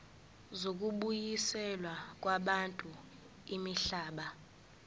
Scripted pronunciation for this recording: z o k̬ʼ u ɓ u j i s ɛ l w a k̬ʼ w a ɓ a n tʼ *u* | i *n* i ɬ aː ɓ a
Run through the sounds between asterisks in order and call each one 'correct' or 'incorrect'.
correct, incorrect: m

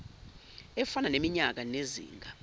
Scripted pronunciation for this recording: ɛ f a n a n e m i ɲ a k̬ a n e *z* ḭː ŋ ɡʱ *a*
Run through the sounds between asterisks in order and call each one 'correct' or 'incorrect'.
correct, correct

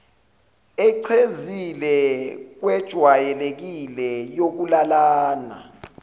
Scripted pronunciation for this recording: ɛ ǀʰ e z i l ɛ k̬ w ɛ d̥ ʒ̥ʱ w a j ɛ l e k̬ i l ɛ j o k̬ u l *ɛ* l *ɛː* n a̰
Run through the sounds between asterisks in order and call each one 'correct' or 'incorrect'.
incorrect: a, incorrect: aː

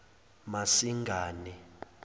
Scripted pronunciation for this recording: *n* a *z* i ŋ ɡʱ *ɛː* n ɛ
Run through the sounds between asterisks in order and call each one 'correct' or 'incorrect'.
incorrect: m, incorrect: s, incorrect: aː

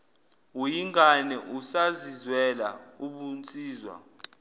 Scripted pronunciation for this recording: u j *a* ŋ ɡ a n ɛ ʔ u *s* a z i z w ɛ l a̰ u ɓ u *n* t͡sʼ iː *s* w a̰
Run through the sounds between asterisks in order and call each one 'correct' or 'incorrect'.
incorrect: i, correct, correct, incorrect: z

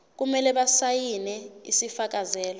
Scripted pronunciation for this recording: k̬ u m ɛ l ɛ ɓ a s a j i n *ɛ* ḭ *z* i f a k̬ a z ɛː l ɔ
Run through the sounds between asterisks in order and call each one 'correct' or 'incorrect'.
correct, incorrect: s

